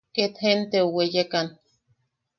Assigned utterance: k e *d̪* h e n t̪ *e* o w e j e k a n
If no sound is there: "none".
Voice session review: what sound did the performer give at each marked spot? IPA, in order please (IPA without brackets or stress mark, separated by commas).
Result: t̪, e